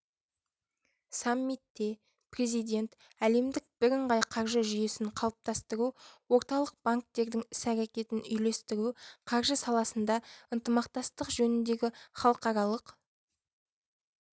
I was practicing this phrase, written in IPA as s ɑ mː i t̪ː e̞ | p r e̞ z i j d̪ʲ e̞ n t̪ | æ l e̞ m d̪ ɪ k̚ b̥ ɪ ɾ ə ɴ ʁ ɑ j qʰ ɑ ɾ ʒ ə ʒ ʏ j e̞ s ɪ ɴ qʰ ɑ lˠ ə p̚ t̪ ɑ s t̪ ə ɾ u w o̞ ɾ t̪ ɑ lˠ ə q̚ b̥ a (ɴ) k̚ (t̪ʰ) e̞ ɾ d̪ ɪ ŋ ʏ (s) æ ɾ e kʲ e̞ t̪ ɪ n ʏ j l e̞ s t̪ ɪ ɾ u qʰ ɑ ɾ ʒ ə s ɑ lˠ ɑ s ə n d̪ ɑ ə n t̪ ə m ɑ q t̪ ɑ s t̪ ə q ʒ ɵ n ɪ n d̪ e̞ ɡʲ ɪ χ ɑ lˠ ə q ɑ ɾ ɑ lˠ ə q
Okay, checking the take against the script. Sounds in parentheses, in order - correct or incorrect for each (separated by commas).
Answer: incorrect, incorrect, correct